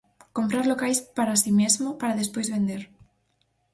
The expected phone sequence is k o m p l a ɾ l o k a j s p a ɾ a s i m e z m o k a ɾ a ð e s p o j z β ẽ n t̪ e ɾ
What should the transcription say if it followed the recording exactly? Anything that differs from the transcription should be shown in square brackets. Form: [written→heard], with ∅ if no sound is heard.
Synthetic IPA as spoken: k o m p [l→ɾ] a ɾ l o k a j s p a ɾ a s i m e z m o [k→p] a ɾ a ð e s p o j z β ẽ n [t̪→d̪] e ɾ